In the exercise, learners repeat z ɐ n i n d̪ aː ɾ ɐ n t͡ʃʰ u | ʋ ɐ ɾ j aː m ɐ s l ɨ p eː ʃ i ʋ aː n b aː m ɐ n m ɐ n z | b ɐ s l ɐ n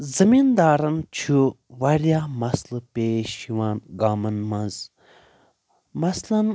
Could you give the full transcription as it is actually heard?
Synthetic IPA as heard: z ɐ m i n d̪ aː ɾ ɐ n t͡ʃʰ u | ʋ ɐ ɾ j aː m ɐ s l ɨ p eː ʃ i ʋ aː n ɡ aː m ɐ n m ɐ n z | m ɐ s l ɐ n